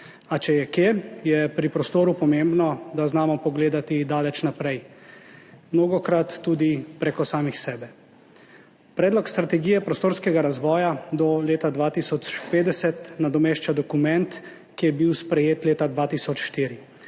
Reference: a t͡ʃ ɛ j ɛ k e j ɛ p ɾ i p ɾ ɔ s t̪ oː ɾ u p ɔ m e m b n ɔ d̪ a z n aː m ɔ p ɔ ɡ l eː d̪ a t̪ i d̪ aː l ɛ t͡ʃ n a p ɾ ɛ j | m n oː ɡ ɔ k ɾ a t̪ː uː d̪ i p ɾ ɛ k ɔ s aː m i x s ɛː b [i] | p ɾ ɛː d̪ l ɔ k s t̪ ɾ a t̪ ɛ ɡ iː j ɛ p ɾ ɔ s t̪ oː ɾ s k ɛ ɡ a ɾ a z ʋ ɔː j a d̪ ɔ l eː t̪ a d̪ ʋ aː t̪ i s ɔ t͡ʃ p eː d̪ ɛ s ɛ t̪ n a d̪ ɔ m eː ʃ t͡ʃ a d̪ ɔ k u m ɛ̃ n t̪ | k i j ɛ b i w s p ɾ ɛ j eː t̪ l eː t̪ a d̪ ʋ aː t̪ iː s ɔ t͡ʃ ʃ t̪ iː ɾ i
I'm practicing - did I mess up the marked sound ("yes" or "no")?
yes